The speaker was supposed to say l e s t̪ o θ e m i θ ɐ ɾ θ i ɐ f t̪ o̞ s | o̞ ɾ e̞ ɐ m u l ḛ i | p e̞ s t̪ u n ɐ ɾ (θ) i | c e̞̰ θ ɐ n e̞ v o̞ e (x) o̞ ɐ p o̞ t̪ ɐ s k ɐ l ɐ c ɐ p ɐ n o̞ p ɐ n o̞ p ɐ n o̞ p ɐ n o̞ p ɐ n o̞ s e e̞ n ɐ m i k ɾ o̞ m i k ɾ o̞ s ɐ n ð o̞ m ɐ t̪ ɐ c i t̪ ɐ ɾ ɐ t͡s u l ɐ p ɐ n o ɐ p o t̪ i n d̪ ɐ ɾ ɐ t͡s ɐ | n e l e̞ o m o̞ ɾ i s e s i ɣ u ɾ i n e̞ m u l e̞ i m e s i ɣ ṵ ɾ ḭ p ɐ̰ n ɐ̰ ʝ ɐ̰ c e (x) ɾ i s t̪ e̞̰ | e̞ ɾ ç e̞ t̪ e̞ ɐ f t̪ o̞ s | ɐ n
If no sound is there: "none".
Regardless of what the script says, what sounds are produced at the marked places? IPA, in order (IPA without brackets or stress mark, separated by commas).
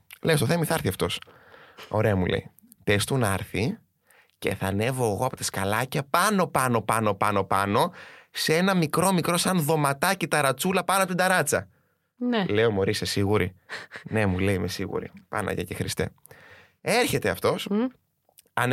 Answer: θ, ɣ, x